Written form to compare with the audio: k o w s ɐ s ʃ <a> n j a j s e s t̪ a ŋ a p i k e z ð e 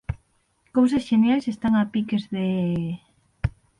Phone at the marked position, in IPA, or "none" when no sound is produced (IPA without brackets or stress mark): e